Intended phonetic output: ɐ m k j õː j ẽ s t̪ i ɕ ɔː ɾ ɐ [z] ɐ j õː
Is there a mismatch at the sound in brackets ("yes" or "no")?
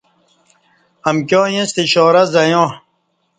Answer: no